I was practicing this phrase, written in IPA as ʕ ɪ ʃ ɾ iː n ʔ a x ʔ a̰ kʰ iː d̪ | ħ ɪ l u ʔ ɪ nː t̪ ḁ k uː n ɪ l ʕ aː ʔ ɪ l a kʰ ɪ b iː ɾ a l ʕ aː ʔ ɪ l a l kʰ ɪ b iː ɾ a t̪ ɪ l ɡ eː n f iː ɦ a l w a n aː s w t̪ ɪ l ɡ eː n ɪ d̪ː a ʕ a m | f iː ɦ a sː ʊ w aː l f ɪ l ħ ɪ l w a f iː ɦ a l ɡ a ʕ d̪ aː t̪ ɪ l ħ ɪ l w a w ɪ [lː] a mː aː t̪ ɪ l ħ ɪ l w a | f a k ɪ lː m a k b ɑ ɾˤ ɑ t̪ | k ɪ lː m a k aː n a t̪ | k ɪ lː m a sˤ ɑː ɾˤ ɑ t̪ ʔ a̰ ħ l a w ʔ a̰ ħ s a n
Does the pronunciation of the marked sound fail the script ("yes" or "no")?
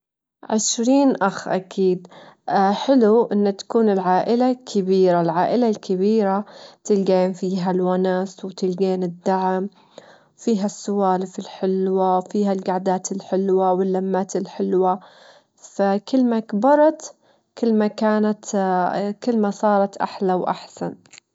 no